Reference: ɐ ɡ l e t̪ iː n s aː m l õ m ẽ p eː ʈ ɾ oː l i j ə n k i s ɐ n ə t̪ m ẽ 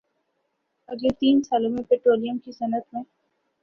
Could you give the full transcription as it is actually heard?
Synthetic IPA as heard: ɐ ɡ l e t̪ iː n s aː l õ m ẽ p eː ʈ ɾ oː l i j ə m k i s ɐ n ə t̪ m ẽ